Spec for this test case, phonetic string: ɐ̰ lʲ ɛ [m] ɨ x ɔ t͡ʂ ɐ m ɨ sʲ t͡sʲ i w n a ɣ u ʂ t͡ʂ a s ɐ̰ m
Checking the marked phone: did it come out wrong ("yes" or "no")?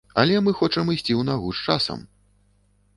no